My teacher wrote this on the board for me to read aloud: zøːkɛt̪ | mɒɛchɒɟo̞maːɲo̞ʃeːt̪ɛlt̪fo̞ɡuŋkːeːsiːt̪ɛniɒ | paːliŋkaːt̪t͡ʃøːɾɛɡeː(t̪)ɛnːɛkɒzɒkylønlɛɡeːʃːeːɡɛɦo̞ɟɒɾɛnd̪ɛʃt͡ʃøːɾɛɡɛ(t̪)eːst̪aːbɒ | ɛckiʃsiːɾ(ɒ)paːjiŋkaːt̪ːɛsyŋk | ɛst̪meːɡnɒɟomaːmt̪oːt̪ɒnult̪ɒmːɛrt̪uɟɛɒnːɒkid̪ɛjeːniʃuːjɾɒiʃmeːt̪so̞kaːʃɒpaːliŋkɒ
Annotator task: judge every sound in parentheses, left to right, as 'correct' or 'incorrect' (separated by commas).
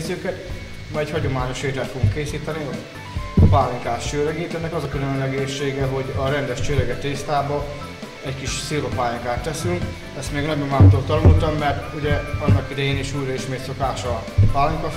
correct, correct, incorrect